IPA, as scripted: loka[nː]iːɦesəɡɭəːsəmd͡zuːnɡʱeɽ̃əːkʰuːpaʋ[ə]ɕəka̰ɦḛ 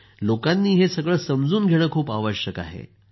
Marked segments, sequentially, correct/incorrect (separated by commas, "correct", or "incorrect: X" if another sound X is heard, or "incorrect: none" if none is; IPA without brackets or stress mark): correct, correct